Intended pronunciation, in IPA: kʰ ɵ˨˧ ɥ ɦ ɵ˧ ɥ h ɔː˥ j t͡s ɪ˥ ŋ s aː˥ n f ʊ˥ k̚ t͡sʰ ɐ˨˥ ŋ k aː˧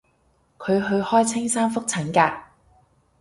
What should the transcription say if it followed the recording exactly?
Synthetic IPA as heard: kʰ ɵ˨˧ ɥ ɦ ɵ˧ ɥ h ɔː˥ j t͡sʰ ɪ˥ ŋ s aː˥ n f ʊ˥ k̚ t͡sʰ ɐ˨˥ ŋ k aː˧